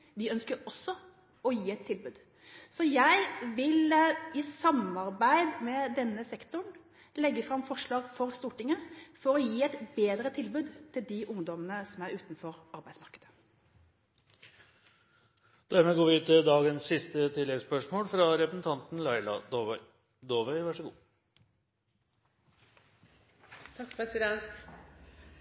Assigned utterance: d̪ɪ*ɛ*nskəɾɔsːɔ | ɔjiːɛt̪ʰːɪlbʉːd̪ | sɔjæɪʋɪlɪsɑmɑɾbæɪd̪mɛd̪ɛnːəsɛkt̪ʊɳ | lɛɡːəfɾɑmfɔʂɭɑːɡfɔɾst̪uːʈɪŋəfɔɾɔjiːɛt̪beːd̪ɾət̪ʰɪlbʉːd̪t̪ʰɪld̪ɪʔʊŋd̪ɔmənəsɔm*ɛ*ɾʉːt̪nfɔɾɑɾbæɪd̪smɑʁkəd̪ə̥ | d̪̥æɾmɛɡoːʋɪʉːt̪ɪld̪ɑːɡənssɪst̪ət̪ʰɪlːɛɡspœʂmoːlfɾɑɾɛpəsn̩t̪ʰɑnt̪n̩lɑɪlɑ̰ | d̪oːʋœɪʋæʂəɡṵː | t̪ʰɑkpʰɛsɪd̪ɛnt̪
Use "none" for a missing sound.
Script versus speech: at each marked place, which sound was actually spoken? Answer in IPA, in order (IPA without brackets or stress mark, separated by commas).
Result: œ, æ